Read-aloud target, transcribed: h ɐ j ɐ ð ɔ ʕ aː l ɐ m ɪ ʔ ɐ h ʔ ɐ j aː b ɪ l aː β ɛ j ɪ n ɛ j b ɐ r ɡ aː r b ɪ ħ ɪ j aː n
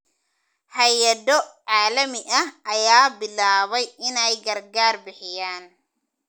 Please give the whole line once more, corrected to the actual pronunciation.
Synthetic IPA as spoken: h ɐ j ɐ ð ɔ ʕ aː l ɐ m ɪ ʔ ɐ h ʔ ɐ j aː b ɪ l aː β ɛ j ɪ n ɛ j ɡ ɐ r ɡ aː r b ɪ ħ ɪ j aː n